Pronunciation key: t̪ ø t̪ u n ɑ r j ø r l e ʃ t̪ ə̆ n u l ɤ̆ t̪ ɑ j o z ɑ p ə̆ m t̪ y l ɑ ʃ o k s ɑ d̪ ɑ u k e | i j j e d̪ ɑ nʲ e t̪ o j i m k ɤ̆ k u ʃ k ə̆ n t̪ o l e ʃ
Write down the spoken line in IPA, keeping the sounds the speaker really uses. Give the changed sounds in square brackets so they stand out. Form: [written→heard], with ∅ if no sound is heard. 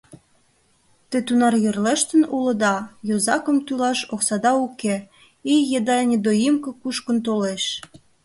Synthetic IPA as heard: t̪ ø t̪ u n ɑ r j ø r l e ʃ t̪ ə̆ n u l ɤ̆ [t̪→d̪] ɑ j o z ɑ [p→k] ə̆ m t̪ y l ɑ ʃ o k s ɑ d̪ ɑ u k e | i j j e d̪ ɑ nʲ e [t̪→d̪] o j i m k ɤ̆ k u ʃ k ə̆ n t̪ o l e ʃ